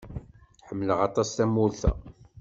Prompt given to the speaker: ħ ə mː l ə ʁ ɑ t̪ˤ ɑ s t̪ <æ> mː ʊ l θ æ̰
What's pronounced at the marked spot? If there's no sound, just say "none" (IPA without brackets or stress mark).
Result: æ